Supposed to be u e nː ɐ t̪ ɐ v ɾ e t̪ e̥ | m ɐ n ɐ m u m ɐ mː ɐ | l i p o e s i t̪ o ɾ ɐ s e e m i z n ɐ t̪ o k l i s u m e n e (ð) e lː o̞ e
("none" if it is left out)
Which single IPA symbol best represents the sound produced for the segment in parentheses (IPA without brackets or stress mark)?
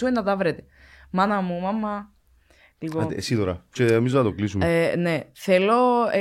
θ